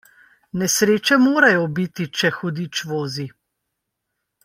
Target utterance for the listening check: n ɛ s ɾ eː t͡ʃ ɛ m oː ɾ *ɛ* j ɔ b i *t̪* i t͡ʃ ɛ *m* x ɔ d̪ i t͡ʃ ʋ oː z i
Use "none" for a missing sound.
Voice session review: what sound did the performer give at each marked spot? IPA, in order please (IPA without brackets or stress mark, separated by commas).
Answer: a, t̪, none